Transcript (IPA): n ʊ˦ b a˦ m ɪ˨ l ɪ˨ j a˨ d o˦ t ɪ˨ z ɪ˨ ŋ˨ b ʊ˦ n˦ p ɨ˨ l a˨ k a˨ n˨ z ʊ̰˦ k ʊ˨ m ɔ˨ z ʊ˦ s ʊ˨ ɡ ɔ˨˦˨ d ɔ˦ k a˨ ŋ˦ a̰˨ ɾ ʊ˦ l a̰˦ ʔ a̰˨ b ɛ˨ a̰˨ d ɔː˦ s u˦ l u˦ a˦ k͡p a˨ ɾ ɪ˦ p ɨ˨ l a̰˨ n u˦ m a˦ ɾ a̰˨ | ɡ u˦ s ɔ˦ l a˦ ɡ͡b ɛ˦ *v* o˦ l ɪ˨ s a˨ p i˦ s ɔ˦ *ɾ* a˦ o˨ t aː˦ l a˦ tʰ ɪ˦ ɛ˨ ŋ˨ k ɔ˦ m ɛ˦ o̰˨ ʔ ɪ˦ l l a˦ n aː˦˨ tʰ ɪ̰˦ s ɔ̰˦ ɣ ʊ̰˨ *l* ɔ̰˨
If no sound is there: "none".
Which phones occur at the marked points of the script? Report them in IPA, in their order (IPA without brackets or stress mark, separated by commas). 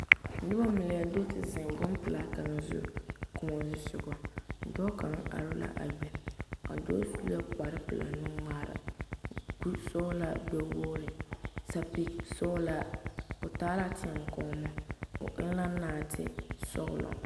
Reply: w, l, l